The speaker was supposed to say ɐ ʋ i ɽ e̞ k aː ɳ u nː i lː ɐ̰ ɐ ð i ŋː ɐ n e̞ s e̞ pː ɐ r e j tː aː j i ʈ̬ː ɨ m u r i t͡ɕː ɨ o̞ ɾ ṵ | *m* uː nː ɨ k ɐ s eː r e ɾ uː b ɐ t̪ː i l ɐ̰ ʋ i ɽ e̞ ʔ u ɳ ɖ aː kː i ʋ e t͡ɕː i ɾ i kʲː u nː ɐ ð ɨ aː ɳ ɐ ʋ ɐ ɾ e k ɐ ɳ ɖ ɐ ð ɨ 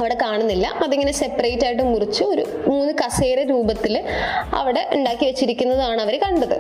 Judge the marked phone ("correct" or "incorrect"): correct